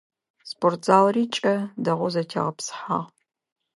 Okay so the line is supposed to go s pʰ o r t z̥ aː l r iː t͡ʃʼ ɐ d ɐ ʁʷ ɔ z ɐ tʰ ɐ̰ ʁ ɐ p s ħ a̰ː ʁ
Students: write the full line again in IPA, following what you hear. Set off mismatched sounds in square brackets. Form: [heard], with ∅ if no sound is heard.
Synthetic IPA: s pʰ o r t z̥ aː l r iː t͡ʃʼ ɐ d ɐ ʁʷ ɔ z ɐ tʰ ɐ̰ ʁ ɐ p s ħ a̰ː ʁ